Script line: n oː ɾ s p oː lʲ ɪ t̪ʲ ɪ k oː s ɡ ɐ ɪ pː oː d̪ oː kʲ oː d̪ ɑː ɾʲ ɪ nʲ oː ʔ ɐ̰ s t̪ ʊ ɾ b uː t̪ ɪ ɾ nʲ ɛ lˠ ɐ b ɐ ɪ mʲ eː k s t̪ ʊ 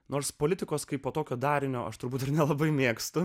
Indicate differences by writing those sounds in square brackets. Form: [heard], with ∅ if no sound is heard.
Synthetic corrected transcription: n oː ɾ s p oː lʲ ɪ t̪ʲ ɪ k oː s [k] ɐ ɪ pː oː [t̪] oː kʲ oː d̪ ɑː ɾʲ ɪ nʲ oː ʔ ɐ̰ [ʃ] t̪ ʊ ɾ b uː t̪ ɪ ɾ nʲ ɛ lˠ ɐ b ɐ ɪ mʲ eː k s t̪ ʊ